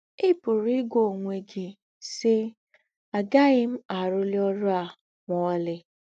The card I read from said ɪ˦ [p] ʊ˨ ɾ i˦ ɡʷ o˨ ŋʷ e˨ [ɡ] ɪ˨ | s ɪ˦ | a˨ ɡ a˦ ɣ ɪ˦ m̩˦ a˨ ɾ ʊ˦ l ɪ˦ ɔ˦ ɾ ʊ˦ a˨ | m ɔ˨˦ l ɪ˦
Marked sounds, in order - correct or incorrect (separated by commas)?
correct, correct